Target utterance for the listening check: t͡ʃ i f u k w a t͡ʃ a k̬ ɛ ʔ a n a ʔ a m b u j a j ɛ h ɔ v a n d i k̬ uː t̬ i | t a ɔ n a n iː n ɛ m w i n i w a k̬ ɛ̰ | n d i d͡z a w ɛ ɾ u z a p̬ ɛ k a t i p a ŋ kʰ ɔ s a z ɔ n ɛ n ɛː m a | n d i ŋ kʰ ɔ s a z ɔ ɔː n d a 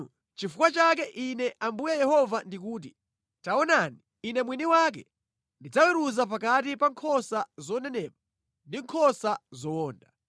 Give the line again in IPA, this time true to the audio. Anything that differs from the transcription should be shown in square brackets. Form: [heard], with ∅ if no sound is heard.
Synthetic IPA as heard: t͡ʃ i f u k w a t͡ʃ a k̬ ɛ ʔ [i] n [ɛ] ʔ a m b u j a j ɛ h ɔ v a n d i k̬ uː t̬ i | t a ɔ n a n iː n ɛ m w i n i w a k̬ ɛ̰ | n d i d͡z a w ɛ ɾ u z a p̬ [a] k a t i p a ŋ kʰ ɔ s a z ɔ n ɛ n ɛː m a | n d i ŋ kʰ ɔ s a z ɔ ɔː n d a